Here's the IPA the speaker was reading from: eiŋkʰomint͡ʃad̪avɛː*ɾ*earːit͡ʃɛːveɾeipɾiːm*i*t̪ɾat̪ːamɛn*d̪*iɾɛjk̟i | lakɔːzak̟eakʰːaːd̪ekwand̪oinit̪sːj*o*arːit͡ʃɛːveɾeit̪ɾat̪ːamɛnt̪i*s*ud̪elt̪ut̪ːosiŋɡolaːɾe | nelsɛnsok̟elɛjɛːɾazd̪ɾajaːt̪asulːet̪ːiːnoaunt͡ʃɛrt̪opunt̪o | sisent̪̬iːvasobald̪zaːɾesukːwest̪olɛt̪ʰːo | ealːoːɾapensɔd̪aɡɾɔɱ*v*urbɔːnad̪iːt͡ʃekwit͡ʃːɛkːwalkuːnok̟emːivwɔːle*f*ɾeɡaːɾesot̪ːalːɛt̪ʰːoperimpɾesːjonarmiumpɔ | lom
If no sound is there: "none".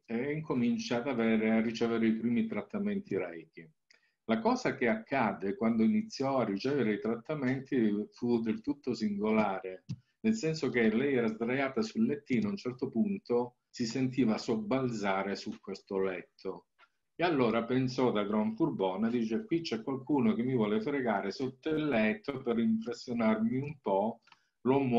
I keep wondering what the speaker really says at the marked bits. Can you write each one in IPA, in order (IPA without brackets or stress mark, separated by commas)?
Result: ɾ, i, t̪, ɔ, f, f, f